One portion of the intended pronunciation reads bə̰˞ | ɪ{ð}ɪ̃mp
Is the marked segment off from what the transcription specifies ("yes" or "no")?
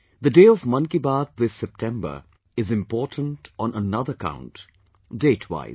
yes